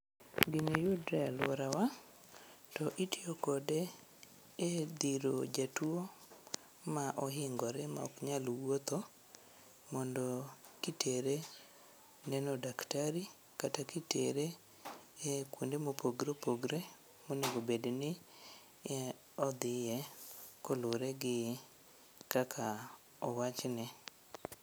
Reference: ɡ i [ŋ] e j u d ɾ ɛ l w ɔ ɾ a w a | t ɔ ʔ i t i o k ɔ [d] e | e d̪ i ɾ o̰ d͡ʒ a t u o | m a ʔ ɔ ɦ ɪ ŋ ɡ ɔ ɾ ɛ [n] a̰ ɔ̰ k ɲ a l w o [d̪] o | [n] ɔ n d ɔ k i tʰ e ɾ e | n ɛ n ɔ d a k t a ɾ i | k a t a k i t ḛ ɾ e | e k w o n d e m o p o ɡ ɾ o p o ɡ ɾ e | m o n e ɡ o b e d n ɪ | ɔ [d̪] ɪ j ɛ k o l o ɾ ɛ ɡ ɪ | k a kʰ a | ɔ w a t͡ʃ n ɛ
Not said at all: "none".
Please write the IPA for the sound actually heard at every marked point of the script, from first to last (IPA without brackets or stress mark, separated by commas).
n, d, m, t̪, m, d̪